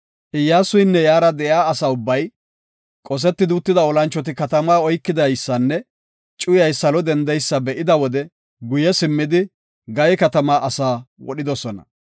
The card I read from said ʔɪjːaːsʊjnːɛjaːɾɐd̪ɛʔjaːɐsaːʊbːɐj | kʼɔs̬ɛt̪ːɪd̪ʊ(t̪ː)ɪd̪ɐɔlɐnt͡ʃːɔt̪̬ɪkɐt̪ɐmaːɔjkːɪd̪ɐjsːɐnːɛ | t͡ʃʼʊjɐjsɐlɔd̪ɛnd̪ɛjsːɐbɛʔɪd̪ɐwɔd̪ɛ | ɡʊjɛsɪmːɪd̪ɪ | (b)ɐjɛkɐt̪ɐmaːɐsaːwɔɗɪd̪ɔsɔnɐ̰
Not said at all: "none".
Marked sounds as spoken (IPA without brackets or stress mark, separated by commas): t̪ː, ɡ